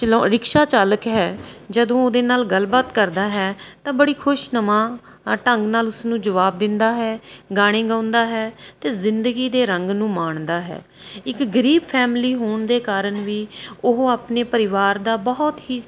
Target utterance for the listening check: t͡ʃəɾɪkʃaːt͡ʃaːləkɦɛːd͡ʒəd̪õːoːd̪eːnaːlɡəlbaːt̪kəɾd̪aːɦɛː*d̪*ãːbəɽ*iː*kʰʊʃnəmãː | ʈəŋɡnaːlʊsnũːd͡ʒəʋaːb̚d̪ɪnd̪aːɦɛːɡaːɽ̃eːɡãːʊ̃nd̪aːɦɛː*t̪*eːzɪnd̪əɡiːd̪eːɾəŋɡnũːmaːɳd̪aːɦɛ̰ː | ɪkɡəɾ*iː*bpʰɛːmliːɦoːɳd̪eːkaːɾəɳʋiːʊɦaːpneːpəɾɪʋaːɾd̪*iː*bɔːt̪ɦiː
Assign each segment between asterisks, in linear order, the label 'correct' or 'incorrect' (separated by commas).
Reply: incorrect, correct, correct, correct, incorrect